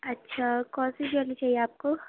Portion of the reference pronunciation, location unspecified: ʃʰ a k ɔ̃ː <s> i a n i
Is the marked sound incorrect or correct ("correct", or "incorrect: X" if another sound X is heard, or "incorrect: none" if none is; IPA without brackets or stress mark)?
correct